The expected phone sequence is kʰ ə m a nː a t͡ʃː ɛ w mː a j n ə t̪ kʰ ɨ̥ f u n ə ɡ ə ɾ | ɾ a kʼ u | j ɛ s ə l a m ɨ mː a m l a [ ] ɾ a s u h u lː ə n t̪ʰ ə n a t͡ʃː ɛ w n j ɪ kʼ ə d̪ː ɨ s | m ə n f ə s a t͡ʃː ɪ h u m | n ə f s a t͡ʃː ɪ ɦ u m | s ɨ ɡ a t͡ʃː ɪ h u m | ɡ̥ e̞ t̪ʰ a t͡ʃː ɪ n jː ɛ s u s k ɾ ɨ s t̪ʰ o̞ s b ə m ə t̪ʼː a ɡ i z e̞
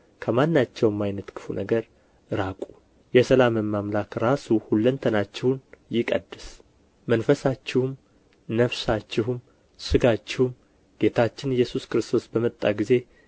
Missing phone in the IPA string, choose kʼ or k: k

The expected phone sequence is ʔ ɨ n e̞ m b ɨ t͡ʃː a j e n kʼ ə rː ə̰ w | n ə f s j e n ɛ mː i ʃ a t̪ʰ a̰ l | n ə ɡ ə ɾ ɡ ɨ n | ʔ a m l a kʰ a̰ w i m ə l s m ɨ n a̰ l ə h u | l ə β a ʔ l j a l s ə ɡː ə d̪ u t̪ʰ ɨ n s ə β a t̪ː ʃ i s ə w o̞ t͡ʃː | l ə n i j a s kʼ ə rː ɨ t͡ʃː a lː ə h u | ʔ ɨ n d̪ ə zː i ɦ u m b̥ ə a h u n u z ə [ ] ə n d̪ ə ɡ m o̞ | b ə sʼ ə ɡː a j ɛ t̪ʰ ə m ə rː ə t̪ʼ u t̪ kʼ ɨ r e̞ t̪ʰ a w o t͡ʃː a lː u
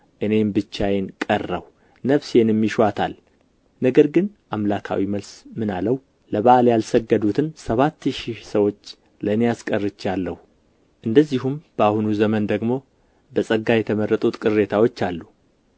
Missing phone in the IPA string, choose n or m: m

